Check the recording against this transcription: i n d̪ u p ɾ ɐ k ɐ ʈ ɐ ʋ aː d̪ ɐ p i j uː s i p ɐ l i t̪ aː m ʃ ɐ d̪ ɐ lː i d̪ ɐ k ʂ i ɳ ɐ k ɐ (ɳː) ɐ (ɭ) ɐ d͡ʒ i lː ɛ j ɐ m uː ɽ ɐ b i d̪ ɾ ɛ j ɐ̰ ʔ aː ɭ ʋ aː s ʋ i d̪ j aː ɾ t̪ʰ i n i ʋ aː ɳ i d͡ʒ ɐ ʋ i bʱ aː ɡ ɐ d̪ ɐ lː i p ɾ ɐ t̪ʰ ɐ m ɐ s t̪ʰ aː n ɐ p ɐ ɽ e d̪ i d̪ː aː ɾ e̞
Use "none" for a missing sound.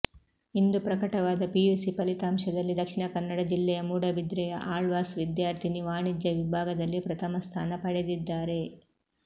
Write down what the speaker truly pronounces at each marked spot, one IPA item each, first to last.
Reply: nː, ɽ

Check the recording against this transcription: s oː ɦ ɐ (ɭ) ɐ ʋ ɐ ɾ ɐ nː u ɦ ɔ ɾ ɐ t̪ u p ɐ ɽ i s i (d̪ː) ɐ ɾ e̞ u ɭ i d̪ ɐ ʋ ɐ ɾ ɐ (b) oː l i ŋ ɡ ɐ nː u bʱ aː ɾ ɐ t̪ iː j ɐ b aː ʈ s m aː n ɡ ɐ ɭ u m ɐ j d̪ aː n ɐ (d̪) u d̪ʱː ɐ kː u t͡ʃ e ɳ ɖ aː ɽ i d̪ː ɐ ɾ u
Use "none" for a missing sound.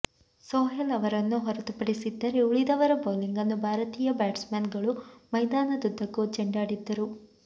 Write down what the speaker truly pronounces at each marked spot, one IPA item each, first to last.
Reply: l, d̪ː, b, d̪

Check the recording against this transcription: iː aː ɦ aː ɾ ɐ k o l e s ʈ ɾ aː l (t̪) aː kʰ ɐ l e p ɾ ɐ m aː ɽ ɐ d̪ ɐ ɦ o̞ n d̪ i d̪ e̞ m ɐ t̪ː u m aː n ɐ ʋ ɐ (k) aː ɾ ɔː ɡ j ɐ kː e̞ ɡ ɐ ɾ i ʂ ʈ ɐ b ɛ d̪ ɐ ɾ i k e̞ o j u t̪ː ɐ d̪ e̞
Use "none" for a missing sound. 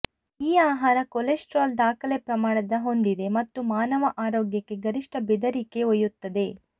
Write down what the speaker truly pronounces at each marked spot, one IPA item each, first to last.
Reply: d̪, ʔ

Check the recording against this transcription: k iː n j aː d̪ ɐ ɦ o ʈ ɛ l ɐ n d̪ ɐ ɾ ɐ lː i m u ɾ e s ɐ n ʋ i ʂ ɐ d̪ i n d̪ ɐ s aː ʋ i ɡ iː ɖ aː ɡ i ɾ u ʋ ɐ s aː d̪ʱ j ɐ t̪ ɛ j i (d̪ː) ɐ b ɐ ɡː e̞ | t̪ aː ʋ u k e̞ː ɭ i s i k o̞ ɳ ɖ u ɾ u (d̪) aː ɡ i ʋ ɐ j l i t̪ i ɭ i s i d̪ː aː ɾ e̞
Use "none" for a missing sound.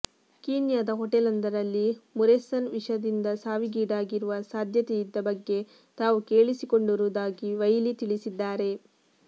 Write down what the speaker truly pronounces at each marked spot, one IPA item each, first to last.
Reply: d̪ː, d̪

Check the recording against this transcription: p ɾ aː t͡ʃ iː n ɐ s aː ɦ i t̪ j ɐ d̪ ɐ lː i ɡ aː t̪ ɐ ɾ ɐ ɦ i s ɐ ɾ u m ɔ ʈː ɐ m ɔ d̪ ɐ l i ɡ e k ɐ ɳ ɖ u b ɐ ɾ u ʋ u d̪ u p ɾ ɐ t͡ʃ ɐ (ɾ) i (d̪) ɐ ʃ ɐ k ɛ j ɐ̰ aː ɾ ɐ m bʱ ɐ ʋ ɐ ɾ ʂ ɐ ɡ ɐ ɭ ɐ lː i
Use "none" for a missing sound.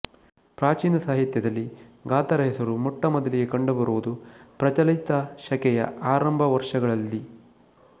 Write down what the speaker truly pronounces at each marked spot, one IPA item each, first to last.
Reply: l, t̪

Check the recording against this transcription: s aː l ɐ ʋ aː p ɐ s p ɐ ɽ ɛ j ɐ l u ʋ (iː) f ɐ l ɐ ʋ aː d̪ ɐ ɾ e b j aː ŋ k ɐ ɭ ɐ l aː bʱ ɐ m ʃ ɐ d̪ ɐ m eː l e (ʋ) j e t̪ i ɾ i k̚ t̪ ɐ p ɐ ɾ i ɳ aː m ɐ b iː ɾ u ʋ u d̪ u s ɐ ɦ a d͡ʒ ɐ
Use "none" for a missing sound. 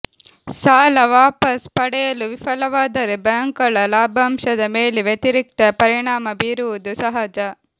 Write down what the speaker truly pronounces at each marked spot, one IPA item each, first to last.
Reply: i, ʋ

